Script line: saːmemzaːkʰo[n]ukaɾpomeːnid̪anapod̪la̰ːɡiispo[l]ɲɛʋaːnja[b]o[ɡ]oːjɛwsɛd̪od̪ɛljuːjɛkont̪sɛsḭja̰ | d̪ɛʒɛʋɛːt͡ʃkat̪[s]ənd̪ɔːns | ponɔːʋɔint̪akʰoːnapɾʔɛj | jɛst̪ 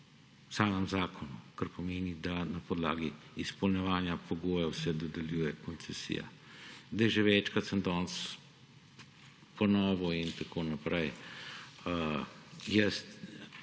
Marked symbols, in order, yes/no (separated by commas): yes, yes, no, yes, yes